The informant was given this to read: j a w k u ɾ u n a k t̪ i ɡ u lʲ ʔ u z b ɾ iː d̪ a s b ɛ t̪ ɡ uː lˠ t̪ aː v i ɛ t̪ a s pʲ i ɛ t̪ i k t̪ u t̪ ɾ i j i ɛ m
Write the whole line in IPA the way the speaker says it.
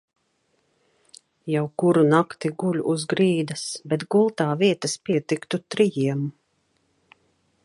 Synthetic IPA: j a w k u ɾ u n a k t̪ i ɡ u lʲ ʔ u z ɡ ɾ iː d̪ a s b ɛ t̪ ɡ u lˠ t̪ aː v i ɛ t̪ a s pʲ i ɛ t̪ i k t̪ u t̪ ɾ i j i ɛ m